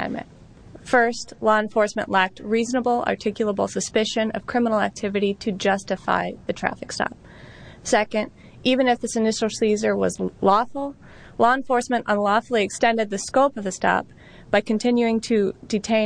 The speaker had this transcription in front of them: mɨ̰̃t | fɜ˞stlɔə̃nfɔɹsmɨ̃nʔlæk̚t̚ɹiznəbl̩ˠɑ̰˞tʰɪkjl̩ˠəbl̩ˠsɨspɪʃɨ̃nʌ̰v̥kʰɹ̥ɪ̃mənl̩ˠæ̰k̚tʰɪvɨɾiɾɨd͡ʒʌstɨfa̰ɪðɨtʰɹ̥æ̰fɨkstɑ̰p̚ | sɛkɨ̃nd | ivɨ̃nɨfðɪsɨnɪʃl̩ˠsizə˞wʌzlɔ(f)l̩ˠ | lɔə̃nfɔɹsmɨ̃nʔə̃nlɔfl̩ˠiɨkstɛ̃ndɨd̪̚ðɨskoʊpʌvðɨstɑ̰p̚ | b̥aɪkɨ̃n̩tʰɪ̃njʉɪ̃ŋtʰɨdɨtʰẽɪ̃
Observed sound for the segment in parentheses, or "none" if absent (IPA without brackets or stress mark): f